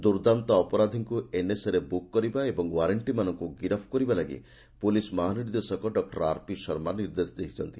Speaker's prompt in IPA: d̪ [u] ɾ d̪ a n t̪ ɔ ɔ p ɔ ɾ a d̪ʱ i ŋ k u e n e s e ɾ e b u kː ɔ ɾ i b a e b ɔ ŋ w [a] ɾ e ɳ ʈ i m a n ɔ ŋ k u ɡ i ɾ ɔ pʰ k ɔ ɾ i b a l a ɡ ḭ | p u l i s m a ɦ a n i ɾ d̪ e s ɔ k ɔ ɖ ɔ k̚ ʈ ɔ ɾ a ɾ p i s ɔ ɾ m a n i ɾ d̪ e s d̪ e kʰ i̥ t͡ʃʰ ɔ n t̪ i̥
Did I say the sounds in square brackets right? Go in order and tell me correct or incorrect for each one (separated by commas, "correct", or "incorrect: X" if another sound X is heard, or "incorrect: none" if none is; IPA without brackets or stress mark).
correct, correct